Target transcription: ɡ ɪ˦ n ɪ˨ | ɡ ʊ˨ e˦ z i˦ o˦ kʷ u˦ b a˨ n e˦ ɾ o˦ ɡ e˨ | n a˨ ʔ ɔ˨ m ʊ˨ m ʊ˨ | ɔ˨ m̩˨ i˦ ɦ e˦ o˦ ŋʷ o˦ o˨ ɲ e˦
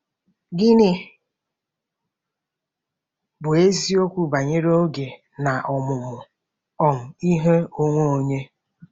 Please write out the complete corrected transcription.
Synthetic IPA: ɡ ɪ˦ n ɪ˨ | b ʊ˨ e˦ z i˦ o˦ kʷ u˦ b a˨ ɲ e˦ ɾ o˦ ɡ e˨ | n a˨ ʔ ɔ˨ m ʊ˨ m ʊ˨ | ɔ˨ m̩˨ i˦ ɦ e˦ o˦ ŋʷ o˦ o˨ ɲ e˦

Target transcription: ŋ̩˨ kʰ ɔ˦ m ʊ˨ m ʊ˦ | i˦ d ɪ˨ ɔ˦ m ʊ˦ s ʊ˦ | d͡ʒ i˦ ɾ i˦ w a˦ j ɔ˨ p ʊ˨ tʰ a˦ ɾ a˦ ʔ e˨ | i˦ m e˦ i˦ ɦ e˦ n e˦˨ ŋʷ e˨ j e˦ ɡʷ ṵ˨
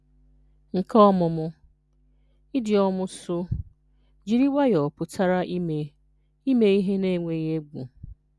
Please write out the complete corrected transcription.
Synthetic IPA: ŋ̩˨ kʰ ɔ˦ m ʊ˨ m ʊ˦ | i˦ d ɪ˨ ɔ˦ m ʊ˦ s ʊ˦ | d͡ʒ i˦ ɾ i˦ w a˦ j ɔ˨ p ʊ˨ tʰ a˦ ɾ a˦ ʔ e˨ | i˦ m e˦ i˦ ɦ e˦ n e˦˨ ŋʷ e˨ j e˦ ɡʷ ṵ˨

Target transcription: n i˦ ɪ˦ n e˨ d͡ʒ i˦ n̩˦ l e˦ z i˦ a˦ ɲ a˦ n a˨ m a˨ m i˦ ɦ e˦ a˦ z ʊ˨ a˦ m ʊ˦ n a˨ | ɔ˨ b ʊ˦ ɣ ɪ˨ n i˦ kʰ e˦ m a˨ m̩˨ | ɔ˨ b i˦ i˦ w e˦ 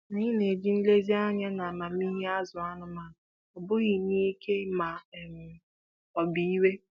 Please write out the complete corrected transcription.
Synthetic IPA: n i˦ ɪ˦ n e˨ d͡ʒ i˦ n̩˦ l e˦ z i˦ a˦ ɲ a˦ n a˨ m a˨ m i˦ ɦ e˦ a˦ z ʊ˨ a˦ n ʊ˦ m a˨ | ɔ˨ b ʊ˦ ɣ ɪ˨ n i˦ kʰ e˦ m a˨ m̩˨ | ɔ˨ b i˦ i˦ w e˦

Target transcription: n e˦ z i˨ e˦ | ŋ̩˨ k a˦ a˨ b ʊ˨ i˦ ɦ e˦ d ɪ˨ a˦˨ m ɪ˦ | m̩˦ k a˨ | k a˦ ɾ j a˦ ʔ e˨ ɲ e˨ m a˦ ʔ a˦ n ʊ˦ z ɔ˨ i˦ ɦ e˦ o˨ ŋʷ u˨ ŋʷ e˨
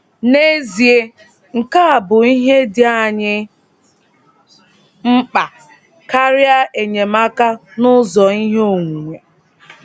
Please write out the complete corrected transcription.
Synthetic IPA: n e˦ z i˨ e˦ | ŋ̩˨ k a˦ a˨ b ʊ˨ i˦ ɦ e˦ d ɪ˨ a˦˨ ɲ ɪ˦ | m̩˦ k͡p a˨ | k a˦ ɾ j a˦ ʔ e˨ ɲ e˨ m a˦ k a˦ n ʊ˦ z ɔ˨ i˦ ɦ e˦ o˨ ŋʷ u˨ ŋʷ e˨

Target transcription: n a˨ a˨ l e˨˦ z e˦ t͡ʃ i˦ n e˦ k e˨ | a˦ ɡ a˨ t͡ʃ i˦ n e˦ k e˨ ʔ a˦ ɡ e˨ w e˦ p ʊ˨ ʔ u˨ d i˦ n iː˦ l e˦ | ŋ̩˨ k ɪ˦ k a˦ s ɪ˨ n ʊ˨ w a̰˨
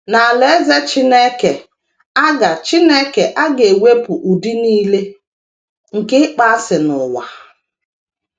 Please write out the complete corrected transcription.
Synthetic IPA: n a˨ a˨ l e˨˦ z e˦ t͡ʃ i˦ n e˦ k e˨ | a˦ ɡ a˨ t͡ʃ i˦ n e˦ k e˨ ʔ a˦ ɡ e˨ w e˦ p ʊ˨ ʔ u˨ d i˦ n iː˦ l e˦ | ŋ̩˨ k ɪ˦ k͡p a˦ s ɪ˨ n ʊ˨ w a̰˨

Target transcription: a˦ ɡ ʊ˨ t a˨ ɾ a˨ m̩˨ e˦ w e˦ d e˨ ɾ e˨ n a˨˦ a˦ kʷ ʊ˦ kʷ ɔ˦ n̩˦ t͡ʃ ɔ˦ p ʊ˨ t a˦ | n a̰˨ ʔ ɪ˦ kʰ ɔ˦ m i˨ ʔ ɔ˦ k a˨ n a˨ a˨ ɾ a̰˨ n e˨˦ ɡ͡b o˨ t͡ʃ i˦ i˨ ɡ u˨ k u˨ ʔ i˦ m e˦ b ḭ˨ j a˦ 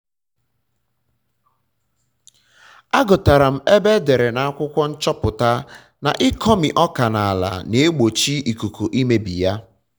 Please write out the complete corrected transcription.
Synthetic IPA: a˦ ɡ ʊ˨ t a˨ ɾ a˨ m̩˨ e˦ b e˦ d e˨ ɾ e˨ n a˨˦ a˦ kʷ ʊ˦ kʷ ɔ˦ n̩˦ t͡ʃ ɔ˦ p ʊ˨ t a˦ | n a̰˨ ʔ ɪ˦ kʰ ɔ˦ m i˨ ʔ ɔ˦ k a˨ n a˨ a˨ l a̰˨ n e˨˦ ɡ͡b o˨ t͡ʃ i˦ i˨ k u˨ k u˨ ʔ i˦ m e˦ b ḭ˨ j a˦

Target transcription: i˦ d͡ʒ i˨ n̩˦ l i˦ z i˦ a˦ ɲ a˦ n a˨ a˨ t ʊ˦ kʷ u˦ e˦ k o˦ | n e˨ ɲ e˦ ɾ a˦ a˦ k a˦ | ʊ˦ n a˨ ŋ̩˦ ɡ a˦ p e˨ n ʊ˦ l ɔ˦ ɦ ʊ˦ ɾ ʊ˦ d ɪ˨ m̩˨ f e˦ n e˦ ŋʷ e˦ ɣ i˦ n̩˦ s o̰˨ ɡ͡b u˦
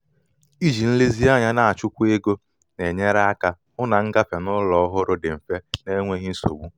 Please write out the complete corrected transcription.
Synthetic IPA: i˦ d͡ʒ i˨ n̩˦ l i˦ z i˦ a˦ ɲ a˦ n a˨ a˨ t͡ʃ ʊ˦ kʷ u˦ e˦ ɡ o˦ | n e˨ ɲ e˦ ɾ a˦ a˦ k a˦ | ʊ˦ n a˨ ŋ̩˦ ɡ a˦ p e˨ n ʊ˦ l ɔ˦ ɦ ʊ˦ ɾ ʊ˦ d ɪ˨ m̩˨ f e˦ n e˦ ŋʷ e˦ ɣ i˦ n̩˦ s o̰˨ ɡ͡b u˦

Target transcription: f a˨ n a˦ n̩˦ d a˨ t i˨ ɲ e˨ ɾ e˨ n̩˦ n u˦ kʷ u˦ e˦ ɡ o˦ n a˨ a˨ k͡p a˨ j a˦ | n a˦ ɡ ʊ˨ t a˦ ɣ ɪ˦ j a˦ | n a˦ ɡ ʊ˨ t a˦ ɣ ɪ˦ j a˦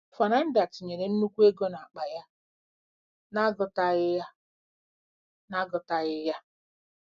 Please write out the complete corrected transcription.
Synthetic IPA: f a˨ n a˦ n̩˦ d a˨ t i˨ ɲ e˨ ɾ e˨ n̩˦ n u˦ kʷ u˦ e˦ ɡ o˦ n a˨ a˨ k͡p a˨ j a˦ | n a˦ ɡ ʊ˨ t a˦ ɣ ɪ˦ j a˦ | n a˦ ɡ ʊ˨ t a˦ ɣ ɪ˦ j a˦

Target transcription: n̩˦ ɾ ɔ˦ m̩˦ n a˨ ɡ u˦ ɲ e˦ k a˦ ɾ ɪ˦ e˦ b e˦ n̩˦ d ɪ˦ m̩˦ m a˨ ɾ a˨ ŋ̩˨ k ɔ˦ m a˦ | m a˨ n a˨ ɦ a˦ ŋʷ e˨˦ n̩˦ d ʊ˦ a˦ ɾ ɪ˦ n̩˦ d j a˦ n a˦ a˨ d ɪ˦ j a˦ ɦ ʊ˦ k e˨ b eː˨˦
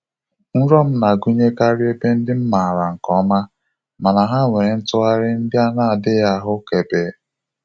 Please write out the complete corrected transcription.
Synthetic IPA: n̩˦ ɾ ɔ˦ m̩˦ n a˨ ɡ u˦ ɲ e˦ k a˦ ɾ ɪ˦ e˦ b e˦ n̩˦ d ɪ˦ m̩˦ m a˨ ɾ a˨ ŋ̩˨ k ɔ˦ m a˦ | m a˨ n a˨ ɦ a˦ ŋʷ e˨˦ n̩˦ t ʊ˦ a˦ ɾ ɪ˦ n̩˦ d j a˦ n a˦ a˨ d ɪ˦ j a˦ ɦ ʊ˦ k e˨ b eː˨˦

